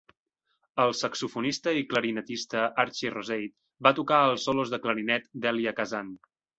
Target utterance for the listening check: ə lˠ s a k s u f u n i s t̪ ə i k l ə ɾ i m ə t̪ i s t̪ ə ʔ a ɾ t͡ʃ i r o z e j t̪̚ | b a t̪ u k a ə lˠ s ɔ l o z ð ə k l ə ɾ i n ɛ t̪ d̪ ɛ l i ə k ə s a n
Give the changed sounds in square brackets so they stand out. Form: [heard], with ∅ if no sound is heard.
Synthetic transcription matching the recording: ə lˠ s [ə] k s u f u n i s t̪ ə i k l ə ɾ i [n] ə t̪ i s t̪ ə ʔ a ɾ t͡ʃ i r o z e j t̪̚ | b a t̪ u k a ə lˠ s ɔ l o z ð ə k l ə ɾ i n ɛ t̪ d̪ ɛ l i ə k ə [z] a n